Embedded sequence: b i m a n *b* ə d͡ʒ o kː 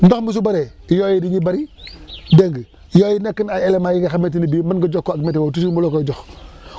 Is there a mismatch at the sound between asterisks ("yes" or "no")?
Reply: yes